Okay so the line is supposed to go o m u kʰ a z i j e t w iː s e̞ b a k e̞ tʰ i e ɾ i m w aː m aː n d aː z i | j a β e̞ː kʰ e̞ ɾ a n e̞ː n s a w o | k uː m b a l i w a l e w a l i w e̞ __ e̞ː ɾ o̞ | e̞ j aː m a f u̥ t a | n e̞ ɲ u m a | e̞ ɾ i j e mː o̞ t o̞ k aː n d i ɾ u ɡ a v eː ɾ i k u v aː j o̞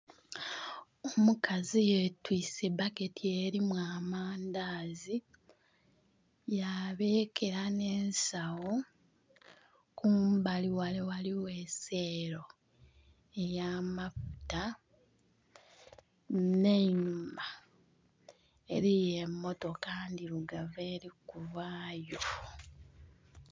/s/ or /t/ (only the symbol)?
s